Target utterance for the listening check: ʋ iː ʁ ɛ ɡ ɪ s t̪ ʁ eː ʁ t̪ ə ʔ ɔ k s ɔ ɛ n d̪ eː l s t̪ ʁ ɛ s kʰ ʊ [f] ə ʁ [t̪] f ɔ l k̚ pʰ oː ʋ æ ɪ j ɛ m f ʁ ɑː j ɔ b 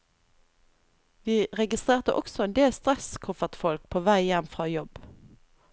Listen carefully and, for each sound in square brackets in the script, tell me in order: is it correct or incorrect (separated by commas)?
correct, correct